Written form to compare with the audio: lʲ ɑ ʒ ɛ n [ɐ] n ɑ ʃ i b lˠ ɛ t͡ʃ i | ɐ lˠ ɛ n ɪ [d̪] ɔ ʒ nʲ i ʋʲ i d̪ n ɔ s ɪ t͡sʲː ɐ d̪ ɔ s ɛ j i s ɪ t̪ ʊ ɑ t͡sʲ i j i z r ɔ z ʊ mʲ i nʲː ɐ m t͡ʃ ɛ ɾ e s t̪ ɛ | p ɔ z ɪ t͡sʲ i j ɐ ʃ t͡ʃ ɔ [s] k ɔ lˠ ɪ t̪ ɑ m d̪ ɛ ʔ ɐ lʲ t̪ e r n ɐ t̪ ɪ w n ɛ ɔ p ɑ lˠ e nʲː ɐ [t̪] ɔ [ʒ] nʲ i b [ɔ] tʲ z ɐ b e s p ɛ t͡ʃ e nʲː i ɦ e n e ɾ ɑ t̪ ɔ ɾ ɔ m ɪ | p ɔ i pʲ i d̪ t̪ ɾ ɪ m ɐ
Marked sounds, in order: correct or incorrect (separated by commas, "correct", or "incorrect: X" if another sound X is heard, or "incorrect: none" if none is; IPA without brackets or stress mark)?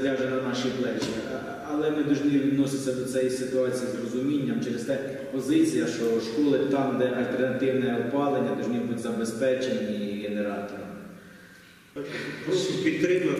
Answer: correct, correct, incorrect: ʃ, incorrect: d̪, correct, incorrect: u